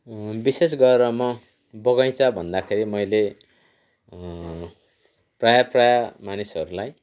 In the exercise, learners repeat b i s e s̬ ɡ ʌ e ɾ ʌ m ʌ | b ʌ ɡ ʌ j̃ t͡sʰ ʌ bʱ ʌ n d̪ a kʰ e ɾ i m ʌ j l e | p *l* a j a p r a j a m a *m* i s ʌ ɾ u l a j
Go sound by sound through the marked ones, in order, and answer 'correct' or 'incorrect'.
incorrect: r, incorrect: n

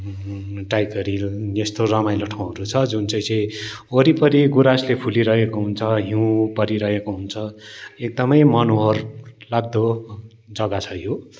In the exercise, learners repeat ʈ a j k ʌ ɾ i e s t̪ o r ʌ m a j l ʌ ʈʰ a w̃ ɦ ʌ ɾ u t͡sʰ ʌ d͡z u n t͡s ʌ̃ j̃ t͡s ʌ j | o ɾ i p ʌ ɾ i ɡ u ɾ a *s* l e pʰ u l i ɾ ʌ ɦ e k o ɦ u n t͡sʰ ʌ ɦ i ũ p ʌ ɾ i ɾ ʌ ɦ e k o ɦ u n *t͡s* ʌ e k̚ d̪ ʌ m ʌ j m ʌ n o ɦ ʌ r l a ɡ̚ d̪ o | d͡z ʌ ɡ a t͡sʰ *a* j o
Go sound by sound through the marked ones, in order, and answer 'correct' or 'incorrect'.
correct, incorrect: t͡sʰ, incorrect: ʌ

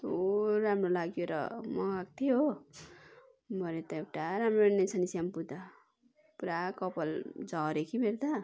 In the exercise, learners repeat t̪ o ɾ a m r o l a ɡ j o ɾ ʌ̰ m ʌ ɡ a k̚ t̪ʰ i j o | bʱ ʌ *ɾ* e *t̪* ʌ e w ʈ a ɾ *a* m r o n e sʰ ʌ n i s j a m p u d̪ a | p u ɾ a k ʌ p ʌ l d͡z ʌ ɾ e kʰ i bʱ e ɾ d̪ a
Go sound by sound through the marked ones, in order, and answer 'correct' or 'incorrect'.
correct, correct, correct

